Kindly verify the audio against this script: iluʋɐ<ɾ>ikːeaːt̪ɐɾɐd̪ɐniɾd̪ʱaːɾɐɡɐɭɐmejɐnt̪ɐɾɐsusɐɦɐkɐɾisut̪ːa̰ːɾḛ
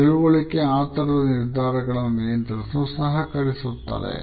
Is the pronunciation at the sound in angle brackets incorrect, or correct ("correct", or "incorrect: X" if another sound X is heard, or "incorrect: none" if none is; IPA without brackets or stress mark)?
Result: incorrect: ɭ